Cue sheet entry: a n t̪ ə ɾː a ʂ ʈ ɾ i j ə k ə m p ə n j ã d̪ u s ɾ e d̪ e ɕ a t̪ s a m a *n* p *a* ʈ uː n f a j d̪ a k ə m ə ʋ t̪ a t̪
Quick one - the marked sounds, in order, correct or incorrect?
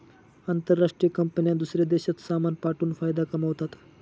correct, correct

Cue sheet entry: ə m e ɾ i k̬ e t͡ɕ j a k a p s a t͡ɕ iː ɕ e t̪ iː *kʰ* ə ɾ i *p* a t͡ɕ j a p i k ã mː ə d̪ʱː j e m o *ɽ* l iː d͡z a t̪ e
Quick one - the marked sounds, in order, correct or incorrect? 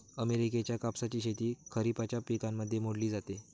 correct, correct, correct

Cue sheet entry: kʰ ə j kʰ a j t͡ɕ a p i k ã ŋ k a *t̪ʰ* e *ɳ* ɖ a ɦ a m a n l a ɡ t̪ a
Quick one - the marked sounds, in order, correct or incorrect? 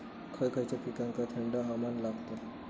correct, correct

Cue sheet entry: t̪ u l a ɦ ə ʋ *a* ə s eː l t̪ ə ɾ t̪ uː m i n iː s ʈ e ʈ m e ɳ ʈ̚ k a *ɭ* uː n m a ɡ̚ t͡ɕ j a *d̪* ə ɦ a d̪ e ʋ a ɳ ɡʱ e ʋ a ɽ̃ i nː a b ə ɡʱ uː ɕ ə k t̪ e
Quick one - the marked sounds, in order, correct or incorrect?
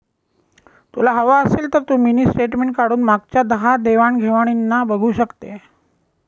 correct, incorrect: ɽ, correct

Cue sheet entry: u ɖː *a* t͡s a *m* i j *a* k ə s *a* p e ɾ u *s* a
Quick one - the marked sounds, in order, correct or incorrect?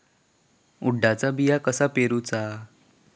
correct, incorrect: b, correct, correct, incorrect: t͡s

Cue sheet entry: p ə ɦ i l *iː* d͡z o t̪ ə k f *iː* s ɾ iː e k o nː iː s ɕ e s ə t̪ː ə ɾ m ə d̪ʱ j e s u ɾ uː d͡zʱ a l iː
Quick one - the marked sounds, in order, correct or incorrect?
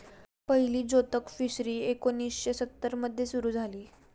correct, incorrect: i

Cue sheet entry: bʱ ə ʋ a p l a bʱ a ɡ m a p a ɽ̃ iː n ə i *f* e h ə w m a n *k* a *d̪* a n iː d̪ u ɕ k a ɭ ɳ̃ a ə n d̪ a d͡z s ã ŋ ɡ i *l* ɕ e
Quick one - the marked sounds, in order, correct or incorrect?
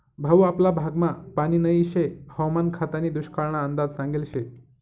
incorrect: ɕ, incorrect: kʰ, incorrect: t̪, correct

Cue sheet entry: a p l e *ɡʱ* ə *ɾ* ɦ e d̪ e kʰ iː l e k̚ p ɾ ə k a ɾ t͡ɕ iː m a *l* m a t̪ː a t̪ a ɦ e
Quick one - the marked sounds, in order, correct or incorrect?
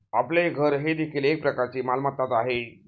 correct, correct, correct

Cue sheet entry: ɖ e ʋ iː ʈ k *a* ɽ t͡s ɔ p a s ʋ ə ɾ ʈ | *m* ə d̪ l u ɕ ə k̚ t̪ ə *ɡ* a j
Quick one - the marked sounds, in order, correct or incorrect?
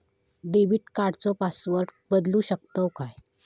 correct, incorrect: b, incorrect: k

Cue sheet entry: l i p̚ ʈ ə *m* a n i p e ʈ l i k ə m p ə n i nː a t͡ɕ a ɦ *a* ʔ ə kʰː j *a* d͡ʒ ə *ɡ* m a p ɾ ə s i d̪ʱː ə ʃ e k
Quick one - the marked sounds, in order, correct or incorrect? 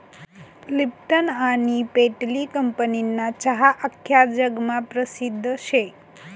incorrect: n, correct, correct, correct

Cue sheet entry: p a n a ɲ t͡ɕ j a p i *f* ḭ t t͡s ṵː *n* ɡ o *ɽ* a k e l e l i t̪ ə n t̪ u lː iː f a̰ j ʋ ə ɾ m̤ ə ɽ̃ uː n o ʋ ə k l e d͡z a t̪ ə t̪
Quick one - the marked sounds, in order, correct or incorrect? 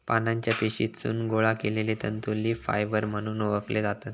incorrect: ɕ, correct, incorrect: ɭ

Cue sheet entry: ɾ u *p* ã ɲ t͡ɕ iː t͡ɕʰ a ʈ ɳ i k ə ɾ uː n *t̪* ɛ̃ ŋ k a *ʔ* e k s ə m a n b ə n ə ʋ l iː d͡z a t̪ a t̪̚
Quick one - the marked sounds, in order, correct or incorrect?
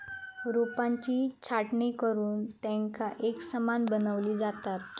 correct, correct, correct

